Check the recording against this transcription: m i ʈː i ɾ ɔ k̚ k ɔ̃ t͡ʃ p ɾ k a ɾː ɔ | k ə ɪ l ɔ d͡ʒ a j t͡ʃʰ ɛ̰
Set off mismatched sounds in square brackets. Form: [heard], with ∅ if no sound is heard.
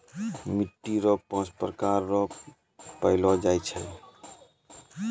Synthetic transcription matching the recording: m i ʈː i ɾ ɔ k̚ [p] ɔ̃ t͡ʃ p ɾ k a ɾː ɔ | [p] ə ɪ l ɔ d͡ʒ a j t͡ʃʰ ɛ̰